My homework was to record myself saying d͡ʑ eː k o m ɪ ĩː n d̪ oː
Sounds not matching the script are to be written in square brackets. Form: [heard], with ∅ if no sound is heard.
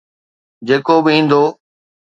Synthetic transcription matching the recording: d͡ʑ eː k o [b] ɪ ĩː n d̪ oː